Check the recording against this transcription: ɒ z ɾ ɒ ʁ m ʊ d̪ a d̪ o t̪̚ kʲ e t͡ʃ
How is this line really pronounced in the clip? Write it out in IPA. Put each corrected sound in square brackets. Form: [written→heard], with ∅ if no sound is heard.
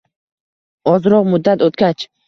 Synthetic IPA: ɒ z ɾ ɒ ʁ m ʊ [d̪→d̪ː] a [d̪→t̪] o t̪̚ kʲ [e→a] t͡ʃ